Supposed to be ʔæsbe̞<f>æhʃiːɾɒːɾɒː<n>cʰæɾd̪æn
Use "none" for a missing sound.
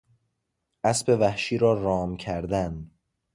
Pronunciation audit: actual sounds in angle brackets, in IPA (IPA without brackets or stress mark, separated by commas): v, m